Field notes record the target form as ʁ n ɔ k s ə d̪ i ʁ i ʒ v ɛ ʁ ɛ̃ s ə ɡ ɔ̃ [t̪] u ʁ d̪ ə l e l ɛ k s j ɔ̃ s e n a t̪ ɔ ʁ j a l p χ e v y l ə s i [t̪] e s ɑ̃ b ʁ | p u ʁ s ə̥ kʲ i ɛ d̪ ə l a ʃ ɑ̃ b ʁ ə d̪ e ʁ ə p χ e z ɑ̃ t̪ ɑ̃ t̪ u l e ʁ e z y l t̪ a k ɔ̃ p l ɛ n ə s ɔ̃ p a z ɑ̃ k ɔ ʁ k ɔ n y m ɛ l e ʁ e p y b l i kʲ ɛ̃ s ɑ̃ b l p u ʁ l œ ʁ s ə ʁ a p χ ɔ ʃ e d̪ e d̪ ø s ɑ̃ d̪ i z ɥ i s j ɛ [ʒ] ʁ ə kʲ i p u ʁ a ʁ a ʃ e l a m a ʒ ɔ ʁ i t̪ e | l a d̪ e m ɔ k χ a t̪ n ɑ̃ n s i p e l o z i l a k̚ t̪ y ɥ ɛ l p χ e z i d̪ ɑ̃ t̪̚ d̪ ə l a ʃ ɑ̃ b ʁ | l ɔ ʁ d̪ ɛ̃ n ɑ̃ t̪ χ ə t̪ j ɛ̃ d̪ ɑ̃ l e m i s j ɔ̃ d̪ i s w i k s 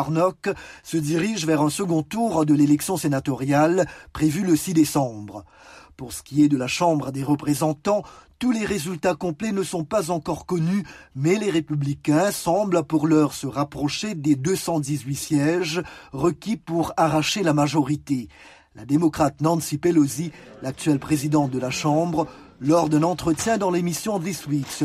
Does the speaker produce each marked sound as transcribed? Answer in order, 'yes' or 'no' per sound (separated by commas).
yes, no, yes